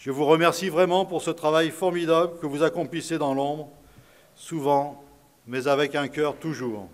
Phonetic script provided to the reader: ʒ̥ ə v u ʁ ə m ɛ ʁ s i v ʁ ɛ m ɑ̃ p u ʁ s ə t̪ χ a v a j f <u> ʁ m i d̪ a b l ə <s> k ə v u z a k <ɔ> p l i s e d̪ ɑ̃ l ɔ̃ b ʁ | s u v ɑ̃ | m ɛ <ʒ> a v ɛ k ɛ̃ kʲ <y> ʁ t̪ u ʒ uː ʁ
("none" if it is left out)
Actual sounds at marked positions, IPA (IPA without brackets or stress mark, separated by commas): ɔ, none, ɔ̃, z, œ